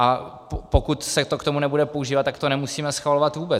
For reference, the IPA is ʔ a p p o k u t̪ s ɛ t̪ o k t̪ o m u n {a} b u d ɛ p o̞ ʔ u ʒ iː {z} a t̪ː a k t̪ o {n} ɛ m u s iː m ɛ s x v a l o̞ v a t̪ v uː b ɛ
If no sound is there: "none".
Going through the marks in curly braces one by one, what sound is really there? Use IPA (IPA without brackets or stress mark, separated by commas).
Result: ɛ, v, n